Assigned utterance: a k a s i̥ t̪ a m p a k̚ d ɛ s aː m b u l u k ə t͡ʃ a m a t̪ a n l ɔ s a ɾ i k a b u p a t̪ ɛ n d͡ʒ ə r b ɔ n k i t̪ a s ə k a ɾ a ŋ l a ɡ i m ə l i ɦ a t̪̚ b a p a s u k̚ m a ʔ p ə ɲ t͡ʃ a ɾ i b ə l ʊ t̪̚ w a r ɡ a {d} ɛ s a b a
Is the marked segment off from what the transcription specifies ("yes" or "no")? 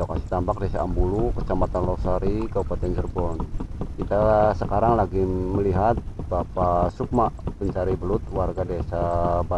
no